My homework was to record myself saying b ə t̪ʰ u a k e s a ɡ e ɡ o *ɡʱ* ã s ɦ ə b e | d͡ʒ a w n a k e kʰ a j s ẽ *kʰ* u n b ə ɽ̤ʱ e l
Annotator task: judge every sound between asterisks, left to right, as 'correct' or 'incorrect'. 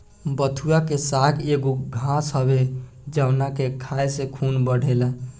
correct, correct

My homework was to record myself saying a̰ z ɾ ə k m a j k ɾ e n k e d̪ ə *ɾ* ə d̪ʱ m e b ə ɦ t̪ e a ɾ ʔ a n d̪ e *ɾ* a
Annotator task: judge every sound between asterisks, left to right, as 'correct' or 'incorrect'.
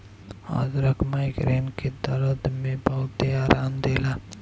correct, incorrect: l

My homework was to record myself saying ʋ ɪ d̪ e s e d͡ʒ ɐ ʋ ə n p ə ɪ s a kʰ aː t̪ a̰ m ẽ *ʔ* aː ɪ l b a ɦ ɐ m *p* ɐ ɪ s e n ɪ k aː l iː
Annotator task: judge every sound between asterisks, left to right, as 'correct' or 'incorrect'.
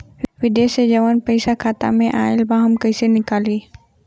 correct, incorrect: k

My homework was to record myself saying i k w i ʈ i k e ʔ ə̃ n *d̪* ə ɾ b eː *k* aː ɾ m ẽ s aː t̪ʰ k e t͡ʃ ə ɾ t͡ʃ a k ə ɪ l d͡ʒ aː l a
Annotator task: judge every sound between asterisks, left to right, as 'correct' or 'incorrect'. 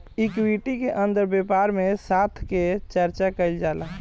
correct, incorrect: p

